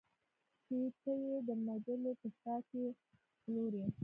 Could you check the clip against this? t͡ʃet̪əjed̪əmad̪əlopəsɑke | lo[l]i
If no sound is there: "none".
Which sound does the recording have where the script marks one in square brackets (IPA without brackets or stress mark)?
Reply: ɾ